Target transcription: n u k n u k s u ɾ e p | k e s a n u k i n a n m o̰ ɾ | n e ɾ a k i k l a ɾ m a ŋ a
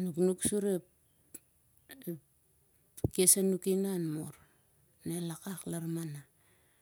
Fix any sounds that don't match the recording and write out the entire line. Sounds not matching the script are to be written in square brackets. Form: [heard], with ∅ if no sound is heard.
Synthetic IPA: n u k n u k s u ɾ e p | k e s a n u k i n a n m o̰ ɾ | n e [l] a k [a] k l a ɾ m a [n] a